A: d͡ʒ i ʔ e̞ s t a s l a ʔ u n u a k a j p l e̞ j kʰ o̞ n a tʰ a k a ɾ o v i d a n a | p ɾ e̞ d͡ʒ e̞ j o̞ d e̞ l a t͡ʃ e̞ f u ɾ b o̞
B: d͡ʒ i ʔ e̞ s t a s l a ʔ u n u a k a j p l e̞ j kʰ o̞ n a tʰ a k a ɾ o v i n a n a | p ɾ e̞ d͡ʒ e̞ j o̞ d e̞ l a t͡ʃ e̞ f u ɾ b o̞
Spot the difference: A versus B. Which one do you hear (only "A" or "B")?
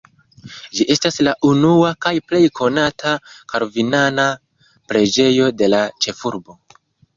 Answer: B